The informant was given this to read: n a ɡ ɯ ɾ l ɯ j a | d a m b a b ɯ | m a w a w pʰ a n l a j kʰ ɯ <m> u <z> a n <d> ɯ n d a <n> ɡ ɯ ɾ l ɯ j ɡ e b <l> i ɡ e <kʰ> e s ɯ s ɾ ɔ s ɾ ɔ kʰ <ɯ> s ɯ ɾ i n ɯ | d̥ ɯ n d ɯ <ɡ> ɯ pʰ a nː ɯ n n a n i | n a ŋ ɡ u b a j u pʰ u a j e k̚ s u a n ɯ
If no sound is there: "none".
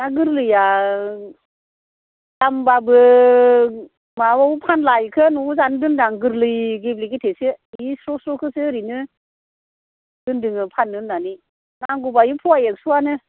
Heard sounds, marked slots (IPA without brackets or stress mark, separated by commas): n, z, d, ŋ, l, tʰ, ɯ, ŋ